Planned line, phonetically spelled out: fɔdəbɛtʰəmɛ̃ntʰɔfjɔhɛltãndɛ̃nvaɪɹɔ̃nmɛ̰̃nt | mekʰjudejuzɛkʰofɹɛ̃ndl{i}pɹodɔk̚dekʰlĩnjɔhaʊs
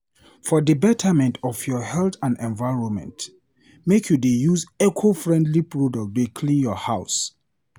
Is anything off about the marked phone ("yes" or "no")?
no